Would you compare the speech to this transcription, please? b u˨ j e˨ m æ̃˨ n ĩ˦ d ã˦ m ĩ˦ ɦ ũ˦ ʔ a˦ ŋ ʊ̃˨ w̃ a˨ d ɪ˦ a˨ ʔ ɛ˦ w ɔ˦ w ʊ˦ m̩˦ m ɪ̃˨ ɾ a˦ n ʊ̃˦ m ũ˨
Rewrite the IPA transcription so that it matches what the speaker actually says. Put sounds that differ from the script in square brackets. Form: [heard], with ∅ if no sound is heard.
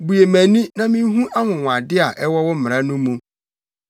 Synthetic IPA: b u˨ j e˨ m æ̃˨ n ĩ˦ [n] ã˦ m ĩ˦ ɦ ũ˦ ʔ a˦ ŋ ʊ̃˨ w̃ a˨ d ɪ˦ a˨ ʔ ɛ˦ w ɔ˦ w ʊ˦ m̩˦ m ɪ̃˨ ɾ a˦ n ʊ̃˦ m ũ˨